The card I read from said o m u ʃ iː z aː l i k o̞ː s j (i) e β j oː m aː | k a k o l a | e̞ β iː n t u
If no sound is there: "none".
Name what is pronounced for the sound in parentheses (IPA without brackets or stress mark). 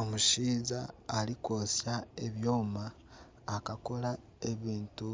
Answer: a